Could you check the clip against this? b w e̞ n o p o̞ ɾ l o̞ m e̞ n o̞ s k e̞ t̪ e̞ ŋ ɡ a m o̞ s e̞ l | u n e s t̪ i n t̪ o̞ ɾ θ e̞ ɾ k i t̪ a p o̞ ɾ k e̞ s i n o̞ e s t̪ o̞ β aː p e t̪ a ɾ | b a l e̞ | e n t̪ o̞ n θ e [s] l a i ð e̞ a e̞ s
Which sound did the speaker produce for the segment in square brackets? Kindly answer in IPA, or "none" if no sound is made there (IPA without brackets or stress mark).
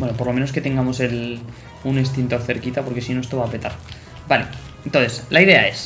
s